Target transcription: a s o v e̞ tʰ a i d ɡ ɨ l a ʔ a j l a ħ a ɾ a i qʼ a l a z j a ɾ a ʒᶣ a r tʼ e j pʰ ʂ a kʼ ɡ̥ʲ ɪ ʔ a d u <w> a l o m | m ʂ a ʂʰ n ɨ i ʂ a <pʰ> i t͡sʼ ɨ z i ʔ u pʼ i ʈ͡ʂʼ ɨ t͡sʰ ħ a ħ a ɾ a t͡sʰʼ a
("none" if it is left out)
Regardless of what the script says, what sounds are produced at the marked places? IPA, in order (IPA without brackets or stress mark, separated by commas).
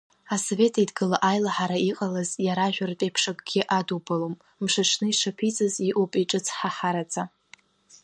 b, pʰ